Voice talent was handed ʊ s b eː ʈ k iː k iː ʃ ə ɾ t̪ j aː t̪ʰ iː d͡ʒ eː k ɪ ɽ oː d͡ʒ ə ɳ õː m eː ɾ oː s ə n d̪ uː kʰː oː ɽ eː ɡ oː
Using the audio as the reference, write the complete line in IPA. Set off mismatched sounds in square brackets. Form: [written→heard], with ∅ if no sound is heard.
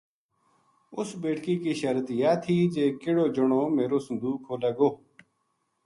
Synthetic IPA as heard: ʊ s b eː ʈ k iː k iː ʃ ə ɾ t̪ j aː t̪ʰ iː d͡ʒ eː k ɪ ɽ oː d͡ʒ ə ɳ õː m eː ɾ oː s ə n d̪ uː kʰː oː [ɽ→l] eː ɡ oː